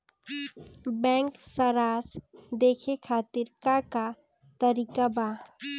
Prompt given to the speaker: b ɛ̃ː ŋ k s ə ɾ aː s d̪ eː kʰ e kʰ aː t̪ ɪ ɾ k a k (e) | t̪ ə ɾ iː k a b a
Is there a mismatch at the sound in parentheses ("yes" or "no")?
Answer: yes